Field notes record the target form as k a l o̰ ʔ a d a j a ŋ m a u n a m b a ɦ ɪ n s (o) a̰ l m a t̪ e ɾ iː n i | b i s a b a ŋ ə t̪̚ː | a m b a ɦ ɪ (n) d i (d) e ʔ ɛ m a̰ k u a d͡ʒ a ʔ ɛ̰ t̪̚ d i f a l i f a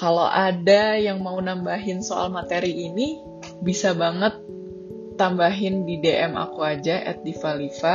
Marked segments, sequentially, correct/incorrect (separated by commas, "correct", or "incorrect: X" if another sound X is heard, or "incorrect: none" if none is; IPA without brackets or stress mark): correct, correct, correct